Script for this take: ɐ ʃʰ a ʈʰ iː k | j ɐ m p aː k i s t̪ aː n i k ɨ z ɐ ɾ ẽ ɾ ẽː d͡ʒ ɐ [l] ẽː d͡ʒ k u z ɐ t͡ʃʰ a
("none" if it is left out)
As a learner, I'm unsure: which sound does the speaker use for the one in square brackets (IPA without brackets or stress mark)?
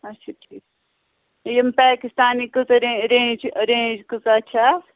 ɾ